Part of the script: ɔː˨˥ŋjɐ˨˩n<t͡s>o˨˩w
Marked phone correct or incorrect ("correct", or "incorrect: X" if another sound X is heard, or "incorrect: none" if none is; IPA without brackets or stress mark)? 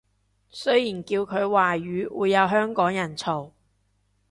incorrect: t͡sʰ